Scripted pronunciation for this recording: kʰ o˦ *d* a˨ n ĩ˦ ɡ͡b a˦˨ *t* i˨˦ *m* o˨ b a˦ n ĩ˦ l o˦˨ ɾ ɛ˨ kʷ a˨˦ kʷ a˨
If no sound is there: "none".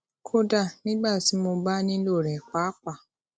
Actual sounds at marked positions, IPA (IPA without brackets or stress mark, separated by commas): d, s, m